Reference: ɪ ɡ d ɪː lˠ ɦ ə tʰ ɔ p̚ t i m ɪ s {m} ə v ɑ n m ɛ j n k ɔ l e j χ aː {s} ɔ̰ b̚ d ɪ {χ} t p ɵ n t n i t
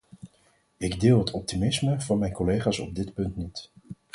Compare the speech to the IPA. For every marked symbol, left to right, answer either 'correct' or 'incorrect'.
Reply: correct, correct, incorrect

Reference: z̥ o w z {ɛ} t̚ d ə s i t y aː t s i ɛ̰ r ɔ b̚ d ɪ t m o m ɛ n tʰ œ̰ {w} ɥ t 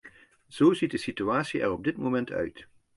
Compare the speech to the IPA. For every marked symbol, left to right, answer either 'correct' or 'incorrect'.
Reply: incorrect, incorrect

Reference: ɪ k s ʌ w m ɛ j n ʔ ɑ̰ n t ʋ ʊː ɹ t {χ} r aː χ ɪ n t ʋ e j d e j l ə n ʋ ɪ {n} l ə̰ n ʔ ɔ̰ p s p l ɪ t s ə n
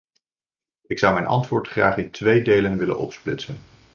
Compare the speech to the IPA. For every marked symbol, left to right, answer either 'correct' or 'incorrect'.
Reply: correct, incorrect

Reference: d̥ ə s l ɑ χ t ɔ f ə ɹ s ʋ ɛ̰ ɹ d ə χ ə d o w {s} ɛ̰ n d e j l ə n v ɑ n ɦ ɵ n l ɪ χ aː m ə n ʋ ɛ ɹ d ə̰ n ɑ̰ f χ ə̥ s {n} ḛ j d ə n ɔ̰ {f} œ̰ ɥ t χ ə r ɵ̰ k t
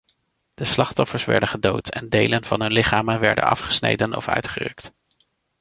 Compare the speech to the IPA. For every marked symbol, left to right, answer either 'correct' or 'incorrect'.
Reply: incorrect, correct, correct

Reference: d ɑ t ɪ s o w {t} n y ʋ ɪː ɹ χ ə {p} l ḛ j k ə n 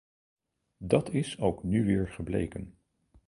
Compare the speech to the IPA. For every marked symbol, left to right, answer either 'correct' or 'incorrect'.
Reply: incorrect, incorrect

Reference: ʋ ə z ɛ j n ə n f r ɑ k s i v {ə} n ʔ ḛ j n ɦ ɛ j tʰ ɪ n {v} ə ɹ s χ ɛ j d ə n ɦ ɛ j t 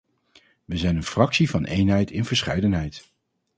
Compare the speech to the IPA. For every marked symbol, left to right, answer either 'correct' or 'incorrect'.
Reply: incorrect, correct

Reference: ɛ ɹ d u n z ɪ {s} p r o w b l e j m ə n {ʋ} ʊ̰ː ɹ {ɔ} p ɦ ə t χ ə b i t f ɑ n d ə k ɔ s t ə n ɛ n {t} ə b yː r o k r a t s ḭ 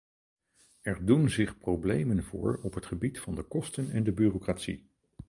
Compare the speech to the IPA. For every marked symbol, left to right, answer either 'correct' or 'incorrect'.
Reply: incorrect, incorrect, correct, incorrect

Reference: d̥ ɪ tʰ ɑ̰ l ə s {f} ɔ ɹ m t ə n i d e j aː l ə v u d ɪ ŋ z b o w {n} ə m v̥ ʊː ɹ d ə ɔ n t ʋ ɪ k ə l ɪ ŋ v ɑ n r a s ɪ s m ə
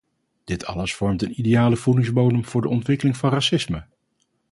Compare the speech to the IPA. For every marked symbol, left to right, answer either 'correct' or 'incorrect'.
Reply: correct, correct

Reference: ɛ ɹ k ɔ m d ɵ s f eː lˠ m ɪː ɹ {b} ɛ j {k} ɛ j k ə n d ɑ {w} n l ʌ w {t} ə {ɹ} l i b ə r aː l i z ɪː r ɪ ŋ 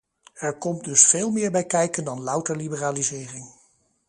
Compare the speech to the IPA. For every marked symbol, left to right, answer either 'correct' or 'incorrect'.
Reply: correct, correct, incorrect, correct, correct

